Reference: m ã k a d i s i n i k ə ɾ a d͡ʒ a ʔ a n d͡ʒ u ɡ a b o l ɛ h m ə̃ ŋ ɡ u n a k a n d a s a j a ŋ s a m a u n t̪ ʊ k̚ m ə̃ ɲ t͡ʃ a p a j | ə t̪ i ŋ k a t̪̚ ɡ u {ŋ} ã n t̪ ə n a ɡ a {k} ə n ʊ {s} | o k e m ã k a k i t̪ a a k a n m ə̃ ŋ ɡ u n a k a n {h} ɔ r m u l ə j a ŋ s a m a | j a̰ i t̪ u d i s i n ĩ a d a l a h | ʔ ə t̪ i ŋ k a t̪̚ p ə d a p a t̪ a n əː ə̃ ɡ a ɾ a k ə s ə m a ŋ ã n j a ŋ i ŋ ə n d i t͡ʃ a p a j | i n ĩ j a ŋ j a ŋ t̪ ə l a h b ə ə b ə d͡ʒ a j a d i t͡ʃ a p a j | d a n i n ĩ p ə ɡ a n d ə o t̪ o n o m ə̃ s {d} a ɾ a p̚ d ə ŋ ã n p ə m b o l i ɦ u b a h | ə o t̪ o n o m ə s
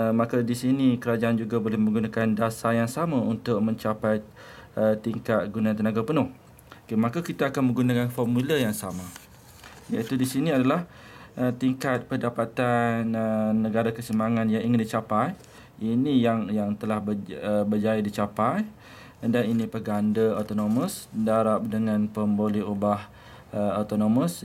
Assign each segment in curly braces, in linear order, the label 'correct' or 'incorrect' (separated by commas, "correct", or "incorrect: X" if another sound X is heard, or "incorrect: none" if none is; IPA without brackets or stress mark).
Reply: incorrect: n, incorrect: p, incorrect: h, incorrect: f, correct